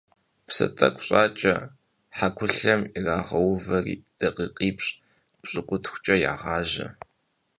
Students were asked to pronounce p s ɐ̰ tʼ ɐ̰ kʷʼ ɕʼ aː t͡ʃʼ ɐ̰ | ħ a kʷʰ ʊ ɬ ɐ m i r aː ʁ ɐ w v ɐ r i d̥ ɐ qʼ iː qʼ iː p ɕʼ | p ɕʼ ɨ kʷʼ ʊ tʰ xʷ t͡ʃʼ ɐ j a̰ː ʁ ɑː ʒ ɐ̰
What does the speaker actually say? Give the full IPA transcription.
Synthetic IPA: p s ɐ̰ tʼ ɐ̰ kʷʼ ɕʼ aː t͡ʃʼ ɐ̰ | ħ a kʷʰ ʊ ɬ ɐ m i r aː ʁ ɐ w v ɐ r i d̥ ɐ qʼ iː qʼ iː p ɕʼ | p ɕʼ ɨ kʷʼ ʊ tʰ xʷ t͡ʃʼ ɐ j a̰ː ʁ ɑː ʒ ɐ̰